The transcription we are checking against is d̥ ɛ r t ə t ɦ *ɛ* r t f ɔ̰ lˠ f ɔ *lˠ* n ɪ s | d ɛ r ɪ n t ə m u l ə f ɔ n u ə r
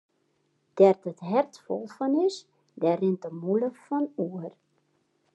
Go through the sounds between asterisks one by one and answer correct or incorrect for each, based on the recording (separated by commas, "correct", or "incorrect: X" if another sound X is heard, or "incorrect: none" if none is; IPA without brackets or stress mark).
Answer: correct, incorrect: none